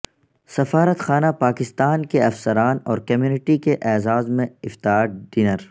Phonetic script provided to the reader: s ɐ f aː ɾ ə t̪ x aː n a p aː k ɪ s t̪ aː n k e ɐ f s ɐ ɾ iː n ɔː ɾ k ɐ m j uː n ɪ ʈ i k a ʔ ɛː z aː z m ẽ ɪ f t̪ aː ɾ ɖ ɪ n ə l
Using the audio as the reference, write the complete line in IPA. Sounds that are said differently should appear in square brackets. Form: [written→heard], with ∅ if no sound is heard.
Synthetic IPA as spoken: s ɐ f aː ɾ ə t̪ x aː n a p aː k ɪ s t̪ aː n k e ɐ f s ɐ ɾ [iː→aː] n ɔː ɾ k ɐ m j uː n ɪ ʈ i k [a→e] ʔ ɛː z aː z m ẽ ɪ f t̪ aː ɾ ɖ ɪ n ə [l→ɾ]